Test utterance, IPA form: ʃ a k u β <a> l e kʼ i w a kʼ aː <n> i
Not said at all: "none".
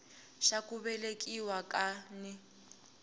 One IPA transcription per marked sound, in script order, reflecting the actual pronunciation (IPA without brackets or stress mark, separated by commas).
ɛ, n